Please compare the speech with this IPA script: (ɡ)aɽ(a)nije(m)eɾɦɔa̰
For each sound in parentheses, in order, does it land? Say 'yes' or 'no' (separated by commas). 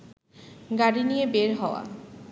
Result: yes, no, no